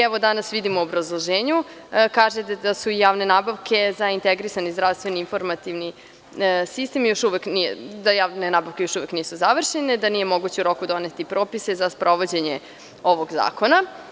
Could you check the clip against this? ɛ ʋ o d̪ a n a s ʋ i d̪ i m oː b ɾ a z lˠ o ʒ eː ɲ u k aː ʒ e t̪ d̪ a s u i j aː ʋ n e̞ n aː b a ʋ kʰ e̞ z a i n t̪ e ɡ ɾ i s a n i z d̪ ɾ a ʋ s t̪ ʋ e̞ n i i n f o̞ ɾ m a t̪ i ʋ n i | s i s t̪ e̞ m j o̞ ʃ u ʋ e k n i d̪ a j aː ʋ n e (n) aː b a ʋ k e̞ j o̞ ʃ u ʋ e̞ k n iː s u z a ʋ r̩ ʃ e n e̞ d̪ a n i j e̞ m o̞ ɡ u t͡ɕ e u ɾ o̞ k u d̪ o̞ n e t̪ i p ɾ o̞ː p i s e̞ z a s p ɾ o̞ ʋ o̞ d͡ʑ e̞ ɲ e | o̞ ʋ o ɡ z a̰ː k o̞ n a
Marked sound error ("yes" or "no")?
no